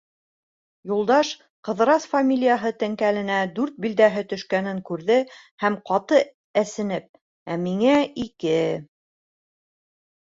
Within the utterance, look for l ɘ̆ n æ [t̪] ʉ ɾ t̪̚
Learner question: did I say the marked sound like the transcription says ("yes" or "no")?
no